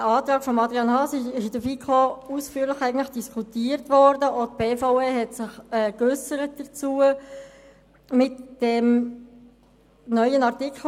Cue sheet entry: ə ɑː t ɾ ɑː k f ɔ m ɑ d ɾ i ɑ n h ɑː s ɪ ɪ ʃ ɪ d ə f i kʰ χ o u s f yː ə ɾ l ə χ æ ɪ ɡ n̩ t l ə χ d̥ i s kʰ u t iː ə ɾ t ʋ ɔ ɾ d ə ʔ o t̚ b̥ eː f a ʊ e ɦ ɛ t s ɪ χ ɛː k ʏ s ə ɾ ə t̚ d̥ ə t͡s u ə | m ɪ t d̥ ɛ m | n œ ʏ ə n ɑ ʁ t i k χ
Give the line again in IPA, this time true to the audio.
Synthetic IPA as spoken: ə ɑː t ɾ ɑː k f ɔ m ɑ d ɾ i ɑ n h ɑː s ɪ ɪ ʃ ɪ d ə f i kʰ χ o u s f yː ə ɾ l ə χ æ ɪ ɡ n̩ t l ə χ d̥ i s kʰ u t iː ə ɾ t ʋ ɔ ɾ d ə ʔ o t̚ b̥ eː f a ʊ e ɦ ɛ t s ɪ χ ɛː k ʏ s ə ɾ ə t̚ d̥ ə t͡s u ə | m ɪ t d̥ ɛ m | n œ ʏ ə n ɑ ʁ t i k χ